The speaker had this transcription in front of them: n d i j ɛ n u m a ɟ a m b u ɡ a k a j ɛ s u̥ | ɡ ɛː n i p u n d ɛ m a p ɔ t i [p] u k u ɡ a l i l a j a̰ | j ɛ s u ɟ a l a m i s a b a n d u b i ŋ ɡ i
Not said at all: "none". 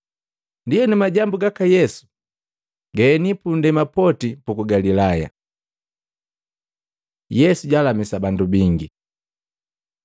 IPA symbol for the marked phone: p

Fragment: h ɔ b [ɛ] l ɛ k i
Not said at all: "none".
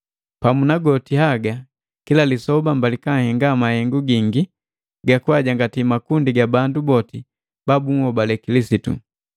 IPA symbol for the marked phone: a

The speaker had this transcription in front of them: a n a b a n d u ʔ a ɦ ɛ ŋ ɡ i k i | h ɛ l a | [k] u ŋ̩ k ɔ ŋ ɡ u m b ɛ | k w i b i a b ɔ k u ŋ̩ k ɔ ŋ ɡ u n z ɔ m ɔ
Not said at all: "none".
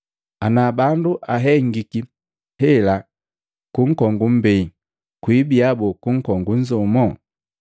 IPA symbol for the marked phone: k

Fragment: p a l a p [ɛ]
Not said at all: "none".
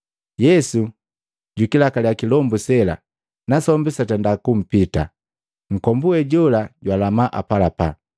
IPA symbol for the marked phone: a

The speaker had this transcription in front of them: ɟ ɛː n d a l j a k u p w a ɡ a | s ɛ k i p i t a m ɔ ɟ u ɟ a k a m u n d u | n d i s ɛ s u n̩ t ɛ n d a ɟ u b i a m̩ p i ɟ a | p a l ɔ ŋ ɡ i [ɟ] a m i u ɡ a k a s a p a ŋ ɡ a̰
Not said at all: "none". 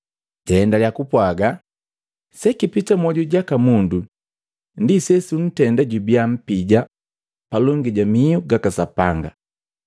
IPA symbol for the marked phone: ɟ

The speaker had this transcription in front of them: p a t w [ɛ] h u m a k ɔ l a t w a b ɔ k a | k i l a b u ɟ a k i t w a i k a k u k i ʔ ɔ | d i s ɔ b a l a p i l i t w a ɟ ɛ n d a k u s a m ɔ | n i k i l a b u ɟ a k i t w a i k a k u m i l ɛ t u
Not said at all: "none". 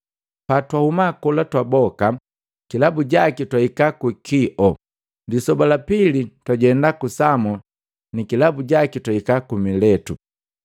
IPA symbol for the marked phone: a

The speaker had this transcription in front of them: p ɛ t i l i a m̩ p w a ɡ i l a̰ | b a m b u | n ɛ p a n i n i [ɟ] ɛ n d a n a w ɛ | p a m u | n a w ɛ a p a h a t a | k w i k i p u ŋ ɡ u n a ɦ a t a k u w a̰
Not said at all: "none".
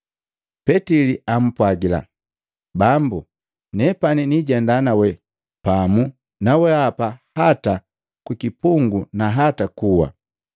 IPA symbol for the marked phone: ɟ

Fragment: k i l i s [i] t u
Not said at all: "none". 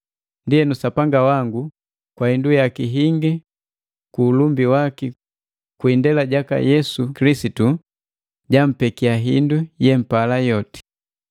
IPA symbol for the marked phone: i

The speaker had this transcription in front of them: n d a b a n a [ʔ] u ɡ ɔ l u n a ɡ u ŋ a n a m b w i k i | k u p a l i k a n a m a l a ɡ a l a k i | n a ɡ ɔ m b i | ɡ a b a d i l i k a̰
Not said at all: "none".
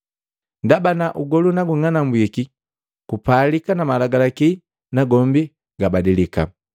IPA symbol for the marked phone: ʔ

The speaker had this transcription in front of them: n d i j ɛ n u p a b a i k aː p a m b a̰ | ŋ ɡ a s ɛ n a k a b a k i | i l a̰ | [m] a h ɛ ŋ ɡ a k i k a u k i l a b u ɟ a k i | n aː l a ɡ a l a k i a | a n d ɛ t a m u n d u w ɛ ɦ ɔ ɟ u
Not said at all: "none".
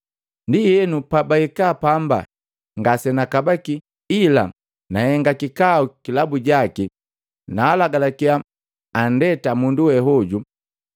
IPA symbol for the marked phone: n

